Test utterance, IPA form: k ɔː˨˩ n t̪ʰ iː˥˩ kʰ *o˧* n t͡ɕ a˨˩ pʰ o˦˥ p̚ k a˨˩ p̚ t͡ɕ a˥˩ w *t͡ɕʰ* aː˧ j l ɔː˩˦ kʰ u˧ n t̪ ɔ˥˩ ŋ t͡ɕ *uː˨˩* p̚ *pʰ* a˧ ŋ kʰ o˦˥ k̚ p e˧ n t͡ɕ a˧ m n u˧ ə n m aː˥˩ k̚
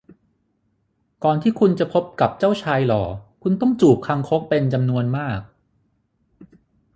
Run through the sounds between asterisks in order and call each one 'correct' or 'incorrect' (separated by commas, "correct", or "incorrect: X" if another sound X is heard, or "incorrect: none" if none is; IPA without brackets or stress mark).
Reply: incorrect: u˧, correct, correct, incorrect: kʰ